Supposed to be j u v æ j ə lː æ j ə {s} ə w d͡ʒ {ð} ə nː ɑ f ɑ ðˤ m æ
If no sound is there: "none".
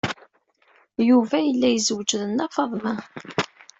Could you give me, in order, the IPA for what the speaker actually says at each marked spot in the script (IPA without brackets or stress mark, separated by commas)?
z, ð